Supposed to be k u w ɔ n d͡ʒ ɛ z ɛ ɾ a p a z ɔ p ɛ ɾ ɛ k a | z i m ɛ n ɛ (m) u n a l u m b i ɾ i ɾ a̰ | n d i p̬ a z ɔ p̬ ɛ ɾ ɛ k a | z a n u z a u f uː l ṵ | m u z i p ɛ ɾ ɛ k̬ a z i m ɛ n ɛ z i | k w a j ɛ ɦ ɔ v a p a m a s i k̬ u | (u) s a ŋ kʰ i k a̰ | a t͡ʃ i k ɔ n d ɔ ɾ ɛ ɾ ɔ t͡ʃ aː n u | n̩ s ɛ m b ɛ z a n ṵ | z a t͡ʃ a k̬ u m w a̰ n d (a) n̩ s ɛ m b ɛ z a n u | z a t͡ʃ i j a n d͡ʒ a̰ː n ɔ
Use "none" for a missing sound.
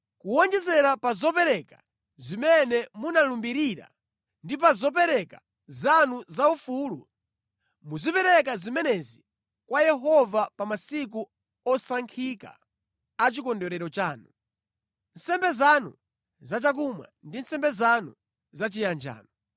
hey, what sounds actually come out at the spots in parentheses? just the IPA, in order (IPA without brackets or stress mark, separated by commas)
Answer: m, ɔ, i